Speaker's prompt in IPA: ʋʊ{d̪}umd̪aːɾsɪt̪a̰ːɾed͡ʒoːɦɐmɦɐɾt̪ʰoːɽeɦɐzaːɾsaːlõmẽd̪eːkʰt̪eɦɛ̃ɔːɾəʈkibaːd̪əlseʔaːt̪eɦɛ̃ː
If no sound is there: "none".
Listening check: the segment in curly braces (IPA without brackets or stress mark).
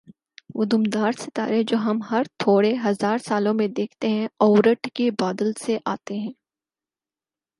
d̪